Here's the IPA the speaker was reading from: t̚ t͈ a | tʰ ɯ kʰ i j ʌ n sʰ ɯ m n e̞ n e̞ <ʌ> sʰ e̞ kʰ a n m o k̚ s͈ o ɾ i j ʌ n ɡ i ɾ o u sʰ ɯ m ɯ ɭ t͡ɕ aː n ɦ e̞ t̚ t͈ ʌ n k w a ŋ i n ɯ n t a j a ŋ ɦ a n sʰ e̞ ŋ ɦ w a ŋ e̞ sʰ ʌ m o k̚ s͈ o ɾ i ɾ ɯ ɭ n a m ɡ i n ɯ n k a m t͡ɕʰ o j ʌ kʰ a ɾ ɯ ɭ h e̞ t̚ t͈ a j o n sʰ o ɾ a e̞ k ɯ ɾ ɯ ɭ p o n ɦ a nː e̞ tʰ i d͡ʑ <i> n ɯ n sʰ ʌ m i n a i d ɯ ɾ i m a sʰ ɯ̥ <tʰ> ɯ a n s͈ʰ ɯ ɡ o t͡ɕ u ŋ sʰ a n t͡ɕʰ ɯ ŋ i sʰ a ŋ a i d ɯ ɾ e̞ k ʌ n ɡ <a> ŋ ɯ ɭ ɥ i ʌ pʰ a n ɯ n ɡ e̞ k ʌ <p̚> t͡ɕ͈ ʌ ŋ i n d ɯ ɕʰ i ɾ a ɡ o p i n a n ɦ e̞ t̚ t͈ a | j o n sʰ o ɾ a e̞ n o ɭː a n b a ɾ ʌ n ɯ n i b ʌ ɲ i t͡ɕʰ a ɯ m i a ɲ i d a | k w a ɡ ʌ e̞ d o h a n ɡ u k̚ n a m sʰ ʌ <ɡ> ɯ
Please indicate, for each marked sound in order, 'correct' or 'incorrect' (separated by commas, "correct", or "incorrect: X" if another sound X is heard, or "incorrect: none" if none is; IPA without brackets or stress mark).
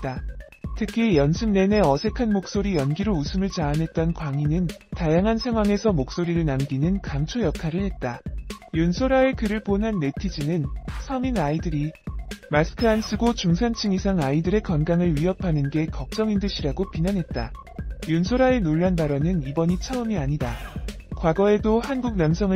correct, correct, incorrect: kʰ, correct, incorrect: k̚, incorrect: ŋ